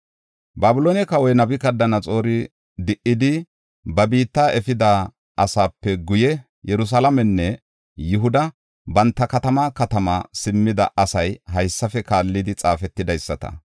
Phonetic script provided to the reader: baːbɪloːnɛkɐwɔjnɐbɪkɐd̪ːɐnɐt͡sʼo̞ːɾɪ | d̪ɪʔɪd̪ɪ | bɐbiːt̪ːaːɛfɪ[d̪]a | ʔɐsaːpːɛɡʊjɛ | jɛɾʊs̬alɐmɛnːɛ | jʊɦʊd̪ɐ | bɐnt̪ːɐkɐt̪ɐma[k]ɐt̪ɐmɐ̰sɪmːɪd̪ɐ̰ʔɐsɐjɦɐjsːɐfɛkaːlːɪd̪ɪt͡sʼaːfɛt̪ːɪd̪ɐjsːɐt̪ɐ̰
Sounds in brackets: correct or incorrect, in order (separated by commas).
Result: correct, correct